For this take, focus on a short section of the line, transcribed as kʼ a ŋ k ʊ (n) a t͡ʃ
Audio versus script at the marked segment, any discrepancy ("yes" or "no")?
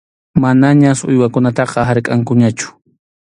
yes